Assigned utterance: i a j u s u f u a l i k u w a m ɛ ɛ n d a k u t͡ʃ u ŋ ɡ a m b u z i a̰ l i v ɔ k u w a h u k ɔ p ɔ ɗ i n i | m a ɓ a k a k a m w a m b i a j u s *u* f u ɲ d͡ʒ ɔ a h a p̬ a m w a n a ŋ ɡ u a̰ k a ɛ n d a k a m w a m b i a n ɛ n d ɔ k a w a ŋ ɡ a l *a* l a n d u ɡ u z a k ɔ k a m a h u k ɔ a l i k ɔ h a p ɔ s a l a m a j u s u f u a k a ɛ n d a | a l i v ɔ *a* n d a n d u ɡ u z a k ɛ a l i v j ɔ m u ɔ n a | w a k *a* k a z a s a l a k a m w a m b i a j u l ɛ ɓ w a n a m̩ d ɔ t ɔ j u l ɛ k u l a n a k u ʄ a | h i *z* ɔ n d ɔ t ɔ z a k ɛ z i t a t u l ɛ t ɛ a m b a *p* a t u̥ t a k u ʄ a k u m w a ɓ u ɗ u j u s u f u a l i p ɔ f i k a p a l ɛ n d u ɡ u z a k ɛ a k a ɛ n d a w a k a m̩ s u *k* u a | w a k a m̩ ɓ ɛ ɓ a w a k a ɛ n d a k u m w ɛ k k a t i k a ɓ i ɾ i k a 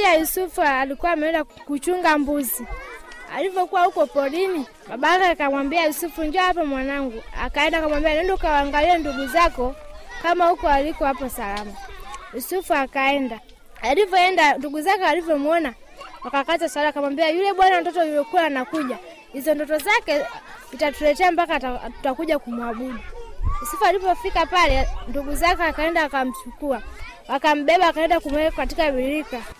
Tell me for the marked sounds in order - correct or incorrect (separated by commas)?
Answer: correct, incorrect, incorrect, correct, correct, incorrect, correct